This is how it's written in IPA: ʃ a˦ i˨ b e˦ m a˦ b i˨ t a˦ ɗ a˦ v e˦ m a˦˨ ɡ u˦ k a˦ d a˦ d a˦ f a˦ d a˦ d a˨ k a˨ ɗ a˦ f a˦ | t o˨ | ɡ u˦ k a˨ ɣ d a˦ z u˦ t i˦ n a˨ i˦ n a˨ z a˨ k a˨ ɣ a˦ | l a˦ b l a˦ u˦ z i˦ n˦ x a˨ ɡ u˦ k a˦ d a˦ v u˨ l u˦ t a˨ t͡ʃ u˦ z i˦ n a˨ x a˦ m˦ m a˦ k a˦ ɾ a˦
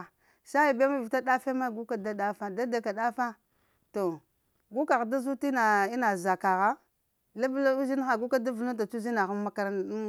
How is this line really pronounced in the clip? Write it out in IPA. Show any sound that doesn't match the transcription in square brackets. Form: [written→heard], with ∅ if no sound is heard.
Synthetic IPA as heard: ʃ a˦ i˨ b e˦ m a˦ [b→v] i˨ t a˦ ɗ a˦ [v→f] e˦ m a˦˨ ɡ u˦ k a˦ d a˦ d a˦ f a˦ d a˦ d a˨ k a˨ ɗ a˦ f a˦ | t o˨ | ɡ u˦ k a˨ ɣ d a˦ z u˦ t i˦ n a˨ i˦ n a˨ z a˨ k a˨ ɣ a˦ | l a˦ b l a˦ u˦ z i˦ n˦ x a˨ ɡ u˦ k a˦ d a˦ v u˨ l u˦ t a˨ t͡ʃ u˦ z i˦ n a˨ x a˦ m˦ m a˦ k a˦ ɾ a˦

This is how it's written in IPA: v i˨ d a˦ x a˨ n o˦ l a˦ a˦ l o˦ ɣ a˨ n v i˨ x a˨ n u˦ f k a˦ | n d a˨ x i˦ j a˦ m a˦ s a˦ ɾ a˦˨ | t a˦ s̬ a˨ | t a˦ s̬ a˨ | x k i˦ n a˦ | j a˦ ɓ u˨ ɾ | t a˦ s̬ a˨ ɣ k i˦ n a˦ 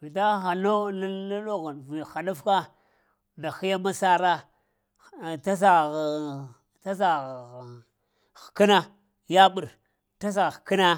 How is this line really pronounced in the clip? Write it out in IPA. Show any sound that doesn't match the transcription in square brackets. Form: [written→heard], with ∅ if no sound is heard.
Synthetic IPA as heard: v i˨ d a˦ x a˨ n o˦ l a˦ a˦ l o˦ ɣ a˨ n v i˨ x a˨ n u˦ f k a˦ | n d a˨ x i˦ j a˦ m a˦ s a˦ ɾ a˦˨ | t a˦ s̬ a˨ | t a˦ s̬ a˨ | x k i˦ n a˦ | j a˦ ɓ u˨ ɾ | t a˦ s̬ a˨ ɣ k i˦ n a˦

